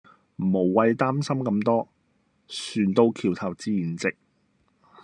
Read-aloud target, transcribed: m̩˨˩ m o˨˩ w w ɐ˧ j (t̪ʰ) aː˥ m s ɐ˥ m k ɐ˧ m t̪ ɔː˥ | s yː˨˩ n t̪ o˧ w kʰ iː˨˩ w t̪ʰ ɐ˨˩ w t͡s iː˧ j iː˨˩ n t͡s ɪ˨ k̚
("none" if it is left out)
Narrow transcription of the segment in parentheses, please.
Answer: t̪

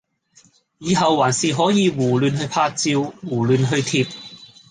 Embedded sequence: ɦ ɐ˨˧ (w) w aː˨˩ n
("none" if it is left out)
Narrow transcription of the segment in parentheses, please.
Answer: w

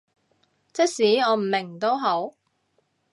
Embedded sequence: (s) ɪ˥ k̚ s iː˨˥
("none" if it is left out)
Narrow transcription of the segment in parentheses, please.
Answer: t͡s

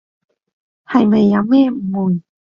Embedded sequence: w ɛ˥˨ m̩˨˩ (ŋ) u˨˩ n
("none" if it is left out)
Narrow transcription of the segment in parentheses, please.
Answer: m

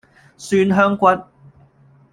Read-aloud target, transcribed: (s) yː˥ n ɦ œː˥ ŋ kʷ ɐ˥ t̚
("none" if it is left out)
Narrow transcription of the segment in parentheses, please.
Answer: s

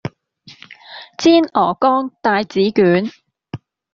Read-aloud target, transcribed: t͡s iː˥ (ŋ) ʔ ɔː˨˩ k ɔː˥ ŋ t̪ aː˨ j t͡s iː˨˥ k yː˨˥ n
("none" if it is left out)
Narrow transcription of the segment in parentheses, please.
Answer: n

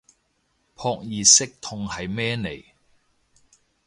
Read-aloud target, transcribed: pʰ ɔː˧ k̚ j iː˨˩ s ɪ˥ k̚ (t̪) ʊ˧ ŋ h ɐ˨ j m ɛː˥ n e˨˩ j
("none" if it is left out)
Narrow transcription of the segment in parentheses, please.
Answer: t̪ʰ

